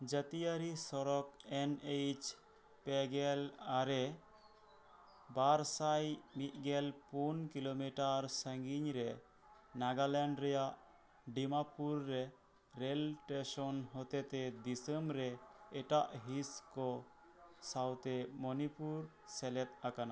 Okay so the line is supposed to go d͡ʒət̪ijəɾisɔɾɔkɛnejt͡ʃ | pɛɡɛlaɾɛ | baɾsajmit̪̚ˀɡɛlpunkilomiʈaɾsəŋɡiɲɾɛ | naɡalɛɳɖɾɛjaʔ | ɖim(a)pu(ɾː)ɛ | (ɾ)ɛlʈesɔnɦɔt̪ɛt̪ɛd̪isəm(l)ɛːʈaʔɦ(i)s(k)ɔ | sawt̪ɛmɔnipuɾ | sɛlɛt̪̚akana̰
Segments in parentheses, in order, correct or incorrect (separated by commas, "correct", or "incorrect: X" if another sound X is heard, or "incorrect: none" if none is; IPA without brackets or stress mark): correct, correct, correct, incorrect: ɾ, correct, correct